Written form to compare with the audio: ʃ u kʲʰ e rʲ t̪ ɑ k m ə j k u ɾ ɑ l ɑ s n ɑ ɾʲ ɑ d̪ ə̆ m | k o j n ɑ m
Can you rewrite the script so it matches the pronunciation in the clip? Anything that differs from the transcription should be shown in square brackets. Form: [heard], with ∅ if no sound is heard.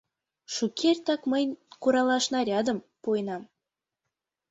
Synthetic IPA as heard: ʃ u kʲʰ e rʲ t̪ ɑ k m ə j k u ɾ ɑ l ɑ [ʃ] n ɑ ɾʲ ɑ d̪ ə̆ m | [p] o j n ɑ m